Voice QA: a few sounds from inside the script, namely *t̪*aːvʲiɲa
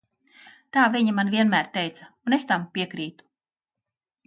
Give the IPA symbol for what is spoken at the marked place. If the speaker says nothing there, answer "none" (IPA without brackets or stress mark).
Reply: t̪